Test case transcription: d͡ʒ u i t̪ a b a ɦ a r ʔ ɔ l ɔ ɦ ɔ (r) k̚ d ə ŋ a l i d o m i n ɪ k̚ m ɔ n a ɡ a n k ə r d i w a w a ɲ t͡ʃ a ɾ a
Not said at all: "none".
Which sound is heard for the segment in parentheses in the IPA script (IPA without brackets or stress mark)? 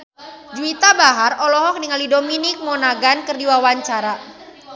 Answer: none